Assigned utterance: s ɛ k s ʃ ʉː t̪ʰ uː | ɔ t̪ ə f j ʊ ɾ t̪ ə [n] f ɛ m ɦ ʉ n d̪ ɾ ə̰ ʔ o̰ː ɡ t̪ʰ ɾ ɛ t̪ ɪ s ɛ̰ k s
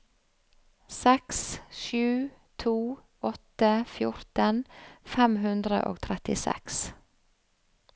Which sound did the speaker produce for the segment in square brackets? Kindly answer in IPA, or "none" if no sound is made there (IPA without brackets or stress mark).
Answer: n